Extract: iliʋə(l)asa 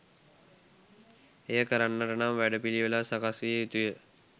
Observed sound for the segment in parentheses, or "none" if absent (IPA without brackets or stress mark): l